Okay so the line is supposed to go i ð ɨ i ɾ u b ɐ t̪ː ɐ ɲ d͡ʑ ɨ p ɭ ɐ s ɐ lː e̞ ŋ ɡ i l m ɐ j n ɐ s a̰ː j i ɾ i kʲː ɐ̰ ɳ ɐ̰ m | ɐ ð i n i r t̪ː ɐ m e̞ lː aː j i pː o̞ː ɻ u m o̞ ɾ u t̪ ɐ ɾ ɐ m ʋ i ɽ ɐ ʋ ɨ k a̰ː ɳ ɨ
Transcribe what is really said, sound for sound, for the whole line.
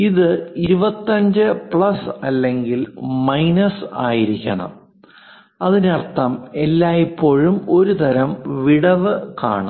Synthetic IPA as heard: i ð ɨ i ɾ u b ɐ t̪ː ɐ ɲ d͡ʑ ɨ p ɭ ɐ s ɐ lː e̞ ŋ ɡ i l m ɐ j n ɐ s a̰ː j i ɾ i kʲː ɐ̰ ɳ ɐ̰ m | ɐ ð i n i r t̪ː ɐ m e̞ lː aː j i pː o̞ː ɻ u m o̞ ɾ u t̪ ɐ ɾ ɐ m ʋ i ɽ ɐ ʋ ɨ k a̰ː ɳ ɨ